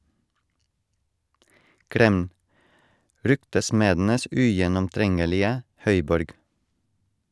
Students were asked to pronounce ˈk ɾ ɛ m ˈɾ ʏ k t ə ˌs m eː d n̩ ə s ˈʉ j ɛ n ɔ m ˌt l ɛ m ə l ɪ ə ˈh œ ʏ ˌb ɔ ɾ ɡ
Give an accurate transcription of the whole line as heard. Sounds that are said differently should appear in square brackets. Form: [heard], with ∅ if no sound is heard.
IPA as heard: ˈk ɾ ɛ m ˈɾ ʏ k t ə ˌs m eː d n̩ ə s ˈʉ j ɛ n ɔ m ˌt [ɾ] ɛ [ŋ] ə l ɪ ə ˈh œ ʏ ˌb ɔ ɾ ɡ